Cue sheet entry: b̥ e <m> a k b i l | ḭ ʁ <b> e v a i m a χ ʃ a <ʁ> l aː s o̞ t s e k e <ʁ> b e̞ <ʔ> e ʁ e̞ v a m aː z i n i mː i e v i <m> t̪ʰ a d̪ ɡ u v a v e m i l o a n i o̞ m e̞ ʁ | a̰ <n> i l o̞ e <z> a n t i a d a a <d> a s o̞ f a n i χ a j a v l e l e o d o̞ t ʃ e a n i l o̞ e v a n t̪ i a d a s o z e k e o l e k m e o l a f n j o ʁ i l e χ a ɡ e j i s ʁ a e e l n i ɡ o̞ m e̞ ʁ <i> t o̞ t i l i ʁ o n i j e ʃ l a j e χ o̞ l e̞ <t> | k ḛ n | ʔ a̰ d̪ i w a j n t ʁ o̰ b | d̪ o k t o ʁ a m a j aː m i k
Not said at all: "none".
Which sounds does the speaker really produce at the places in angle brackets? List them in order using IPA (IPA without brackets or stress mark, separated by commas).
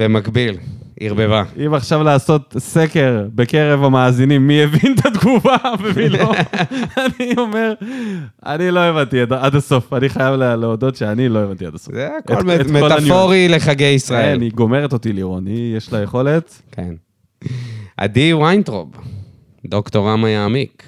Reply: m, b, v, ʁ, k, n, n, v, d, e, t